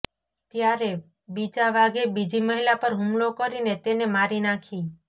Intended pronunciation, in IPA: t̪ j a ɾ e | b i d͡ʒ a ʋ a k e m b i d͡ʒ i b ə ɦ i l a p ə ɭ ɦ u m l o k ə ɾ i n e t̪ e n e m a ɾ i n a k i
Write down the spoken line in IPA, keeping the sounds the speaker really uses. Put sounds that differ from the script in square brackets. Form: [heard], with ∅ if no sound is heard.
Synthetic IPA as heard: t̪ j a ɾ e | b i d͡ʒ a ʋ a [ɡ] e [∅] b i d͡ʒ i [m] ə ɦ i l a p ə [ɾ] ɦ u m l o k ə ɾ i n e t̪ e n e m a ɾ i n a [kʰ] i